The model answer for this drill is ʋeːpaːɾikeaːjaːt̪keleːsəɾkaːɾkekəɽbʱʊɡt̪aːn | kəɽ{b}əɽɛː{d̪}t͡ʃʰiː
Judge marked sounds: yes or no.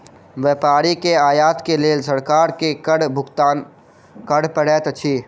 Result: no, no

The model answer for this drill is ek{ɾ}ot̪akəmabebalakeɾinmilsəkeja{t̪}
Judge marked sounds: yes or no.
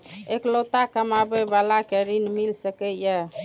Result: no, no

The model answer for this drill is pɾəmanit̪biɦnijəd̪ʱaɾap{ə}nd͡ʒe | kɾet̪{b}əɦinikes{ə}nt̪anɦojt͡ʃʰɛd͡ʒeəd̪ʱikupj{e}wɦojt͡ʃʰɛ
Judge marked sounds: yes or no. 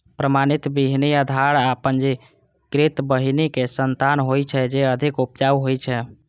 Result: yes, yes, yes, no

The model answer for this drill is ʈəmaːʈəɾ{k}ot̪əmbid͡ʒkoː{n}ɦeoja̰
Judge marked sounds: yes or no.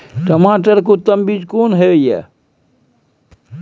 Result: yes, yes

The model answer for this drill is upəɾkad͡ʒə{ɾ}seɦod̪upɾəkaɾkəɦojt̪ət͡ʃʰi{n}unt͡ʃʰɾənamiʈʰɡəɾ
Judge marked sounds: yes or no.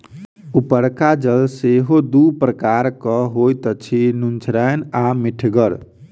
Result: no, yes

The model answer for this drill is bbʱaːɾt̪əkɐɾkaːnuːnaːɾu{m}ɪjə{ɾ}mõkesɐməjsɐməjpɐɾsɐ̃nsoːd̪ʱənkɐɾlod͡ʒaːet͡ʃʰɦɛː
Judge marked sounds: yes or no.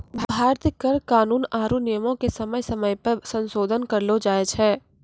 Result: no, no

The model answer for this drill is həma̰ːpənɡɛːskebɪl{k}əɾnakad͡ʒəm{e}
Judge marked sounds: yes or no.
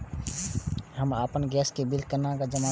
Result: yes, no

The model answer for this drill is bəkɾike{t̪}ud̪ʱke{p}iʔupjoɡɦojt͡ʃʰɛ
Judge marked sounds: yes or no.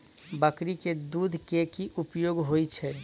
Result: no, no

